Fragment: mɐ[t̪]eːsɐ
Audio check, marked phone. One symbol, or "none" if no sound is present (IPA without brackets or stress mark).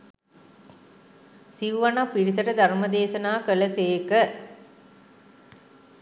d̪